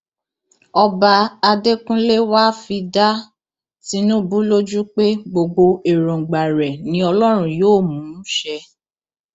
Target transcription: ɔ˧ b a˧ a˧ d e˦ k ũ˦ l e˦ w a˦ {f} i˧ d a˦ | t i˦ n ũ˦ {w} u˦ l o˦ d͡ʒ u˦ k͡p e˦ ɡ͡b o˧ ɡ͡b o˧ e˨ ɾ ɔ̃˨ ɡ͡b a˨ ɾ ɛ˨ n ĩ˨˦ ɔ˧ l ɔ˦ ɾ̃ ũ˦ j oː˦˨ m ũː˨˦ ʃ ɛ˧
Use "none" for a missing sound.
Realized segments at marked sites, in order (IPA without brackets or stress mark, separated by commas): f, b